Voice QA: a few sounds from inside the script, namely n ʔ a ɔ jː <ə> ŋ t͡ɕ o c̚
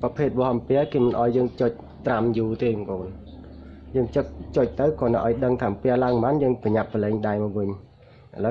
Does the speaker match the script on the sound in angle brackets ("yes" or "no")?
no